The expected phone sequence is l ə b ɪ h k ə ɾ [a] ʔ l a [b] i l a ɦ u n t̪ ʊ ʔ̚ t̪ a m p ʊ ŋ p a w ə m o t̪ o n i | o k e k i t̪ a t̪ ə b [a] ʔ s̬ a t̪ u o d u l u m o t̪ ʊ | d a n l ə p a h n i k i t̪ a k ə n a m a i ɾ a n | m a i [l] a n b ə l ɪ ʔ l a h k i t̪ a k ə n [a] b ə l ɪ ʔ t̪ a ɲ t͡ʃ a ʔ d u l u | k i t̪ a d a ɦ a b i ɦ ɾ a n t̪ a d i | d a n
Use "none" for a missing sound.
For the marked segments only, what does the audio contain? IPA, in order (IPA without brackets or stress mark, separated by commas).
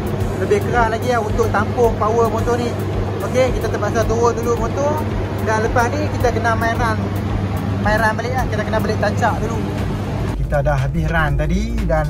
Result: a, ɡ, a, ɾ, a